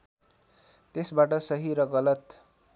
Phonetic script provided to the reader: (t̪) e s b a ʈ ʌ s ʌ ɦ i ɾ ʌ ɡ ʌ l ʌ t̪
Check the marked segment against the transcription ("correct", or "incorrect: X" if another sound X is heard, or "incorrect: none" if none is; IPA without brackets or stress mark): correct